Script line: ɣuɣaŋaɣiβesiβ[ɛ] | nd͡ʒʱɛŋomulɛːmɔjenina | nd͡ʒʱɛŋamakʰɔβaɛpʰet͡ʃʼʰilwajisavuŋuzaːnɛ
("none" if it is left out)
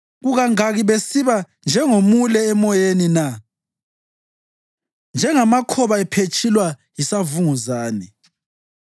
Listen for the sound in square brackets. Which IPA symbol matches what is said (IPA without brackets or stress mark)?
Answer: a